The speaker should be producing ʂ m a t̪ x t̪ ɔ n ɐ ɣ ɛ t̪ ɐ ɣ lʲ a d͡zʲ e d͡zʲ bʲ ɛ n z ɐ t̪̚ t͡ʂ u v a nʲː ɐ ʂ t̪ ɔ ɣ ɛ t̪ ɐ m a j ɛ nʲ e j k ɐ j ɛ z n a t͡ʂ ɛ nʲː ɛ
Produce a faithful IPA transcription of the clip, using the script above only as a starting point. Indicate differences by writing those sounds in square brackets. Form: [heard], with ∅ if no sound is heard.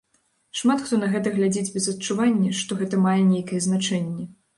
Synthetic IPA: ʂ m a t̪ x t̪ ɔ n ɐ ɣ ɛ t̪ ɐ ɣ lʲ a d͡zʲ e d͡zʲ bʲ ɛ [∅] z ɐ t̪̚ t͡ʂ u v a nʲː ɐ ʂ t̪ ɔ ɣ ɛ t̪ ɐ m a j ɛ nʲ e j k ɐ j ɛ z n a t͡ʂ ɛ nʲː ɛ